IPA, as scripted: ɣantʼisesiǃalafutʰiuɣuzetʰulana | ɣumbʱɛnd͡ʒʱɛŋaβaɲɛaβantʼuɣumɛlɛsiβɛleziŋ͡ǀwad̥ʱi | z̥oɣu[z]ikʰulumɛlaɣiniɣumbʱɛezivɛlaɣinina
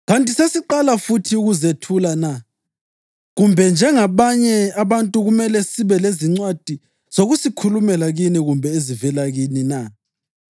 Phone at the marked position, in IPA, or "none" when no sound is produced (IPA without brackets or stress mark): s